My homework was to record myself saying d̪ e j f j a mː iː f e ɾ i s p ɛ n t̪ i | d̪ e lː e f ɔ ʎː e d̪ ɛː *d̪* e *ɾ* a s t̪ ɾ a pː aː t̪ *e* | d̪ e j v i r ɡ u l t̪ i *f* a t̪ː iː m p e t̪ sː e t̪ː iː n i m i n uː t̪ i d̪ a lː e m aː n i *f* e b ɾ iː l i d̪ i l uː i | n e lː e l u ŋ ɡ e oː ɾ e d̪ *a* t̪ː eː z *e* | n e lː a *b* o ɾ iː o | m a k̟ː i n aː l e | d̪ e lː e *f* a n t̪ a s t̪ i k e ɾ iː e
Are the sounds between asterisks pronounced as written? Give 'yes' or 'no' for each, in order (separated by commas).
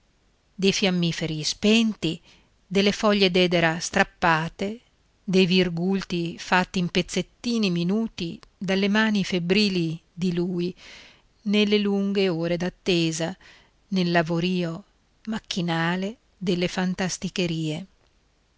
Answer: yes, yes, yes, yes, yes, yes, no, no, yes